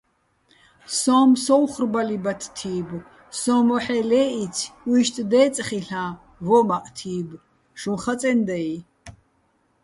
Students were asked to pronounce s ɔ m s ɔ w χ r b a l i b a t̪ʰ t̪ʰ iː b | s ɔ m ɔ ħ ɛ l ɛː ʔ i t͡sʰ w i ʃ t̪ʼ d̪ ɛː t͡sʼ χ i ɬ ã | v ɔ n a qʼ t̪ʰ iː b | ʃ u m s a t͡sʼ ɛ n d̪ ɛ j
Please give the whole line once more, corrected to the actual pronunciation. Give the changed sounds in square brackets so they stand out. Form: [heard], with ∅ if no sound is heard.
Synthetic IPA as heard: s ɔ m s ɔ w χ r b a l i b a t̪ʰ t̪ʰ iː b | s ɔ m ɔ ħ ɛ l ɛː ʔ i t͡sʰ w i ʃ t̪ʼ d̪ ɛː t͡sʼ χ i ɬ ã | v ɔ [m] a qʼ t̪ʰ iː b | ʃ u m [χ] a t͡sʼ ɛ n d̪ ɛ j